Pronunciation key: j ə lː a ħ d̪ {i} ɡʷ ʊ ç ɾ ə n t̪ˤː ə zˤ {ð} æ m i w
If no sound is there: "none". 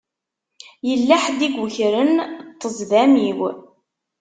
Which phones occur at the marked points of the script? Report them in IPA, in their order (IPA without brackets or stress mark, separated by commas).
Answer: i, ð